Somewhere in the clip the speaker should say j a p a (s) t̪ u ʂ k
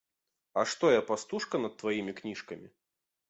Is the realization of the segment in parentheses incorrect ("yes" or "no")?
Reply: no